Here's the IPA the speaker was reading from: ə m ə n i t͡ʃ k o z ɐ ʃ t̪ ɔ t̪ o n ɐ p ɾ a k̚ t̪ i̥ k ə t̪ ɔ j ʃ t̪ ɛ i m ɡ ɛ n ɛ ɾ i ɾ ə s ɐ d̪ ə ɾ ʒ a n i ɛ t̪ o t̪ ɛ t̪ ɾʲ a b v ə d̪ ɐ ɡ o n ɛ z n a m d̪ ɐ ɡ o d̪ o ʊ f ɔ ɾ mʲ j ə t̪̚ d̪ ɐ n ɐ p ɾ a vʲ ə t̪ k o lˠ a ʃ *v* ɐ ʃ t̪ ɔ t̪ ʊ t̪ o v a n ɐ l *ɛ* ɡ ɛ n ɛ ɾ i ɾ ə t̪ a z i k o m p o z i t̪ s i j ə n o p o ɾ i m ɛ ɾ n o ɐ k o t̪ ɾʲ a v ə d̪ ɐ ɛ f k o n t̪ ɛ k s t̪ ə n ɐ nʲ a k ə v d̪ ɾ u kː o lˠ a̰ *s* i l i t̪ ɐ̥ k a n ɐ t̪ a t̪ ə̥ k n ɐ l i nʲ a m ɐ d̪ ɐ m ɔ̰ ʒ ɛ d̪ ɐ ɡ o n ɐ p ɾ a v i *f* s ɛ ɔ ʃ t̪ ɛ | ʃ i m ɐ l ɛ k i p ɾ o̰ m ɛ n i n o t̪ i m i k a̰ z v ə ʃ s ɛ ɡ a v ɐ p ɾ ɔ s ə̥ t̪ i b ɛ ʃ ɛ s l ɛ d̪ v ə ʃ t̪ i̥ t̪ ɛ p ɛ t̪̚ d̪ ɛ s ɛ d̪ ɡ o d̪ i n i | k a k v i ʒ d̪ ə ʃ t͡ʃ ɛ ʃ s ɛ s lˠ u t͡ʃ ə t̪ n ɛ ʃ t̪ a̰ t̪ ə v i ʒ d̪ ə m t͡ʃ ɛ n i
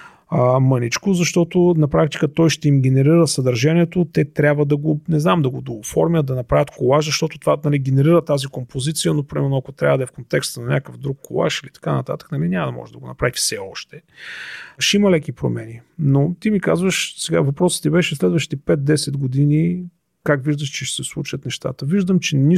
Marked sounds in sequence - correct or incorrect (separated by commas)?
incorrect, incorrect, incorrect, correct